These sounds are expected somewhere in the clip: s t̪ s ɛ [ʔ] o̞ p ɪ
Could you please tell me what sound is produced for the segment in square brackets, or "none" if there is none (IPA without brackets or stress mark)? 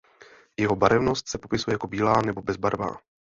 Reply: p